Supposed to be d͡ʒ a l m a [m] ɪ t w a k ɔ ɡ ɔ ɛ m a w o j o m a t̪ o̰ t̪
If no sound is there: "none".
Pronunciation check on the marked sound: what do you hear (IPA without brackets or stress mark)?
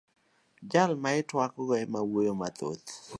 none